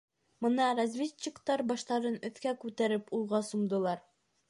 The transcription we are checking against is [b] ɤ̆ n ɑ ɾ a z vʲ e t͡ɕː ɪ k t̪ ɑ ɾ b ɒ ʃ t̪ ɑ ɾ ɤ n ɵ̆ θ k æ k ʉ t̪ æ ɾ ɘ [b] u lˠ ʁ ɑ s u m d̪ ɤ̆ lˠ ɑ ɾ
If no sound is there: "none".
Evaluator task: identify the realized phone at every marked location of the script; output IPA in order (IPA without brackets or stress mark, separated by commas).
m, p